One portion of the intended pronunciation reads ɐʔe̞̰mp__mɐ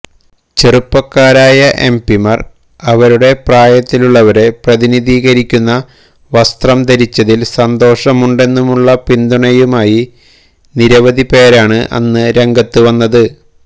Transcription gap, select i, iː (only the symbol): i